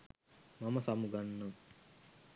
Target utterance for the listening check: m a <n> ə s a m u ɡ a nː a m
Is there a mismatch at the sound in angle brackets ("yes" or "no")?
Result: yes